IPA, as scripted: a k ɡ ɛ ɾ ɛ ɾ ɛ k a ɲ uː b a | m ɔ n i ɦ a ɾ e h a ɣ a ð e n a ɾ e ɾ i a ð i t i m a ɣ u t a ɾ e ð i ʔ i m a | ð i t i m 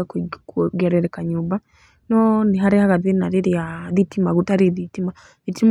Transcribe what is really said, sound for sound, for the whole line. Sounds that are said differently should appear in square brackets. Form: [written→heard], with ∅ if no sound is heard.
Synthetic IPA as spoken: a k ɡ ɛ ɾ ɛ ɾ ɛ k a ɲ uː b a | [m→n] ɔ n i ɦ a ɾ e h a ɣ a ð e n a ɾ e ɾ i a ð i t i m a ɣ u t a ɾ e ð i [ʔ→t] i m a | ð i t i m